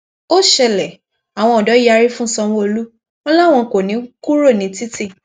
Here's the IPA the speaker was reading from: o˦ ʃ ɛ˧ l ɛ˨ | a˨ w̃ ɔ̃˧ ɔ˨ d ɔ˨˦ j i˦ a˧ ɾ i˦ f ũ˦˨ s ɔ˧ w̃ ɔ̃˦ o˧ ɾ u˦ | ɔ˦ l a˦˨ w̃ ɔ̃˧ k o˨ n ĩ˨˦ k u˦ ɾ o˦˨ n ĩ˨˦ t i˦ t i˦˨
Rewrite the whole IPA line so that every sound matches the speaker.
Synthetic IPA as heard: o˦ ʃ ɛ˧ l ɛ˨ | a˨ w̃ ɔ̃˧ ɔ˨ d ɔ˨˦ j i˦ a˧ ɾ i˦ f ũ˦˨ s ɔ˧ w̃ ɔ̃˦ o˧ l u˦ | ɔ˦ l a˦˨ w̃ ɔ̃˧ k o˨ n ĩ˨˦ k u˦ ɾ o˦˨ n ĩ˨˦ t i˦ t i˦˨